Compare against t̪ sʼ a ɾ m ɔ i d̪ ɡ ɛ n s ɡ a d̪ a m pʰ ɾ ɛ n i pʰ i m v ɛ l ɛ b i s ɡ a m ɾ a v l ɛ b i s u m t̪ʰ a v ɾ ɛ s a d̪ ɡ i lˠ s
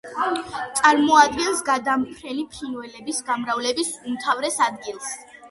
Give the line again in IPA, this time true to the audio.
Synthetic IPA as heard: t̪ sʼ a ɾ m ɔ a d̪ ɡ ɛ n s ɡ a d̪ a m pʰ ɾ ɛ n i pʰ i n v ɛ l ɛ b i s ɡ a m ɾ a v l ɛ b i s u m t̪ʰ a v ɾ ɛ s a d̪ ɡ i lˠ s